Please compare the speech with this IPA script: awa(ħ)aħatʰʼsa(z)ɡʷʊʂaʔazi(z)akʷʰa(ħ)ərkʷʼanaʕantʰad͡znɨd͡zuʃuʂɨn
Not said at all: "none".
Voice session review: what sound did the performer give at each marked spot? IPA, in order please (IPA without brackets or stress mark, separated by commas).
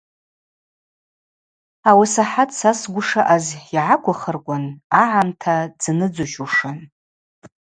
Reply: s, s, ʕ, χ